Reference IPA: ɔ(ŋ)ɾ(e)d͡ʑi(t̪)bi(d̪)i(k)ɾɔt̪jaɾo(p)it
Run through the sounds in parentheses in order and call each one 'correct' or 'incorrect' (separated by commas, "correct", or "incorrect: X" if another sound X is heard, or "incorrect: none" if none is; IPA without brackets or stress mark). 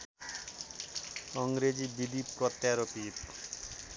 correct, correct, incorrect: none, correct, incorrect: p, correct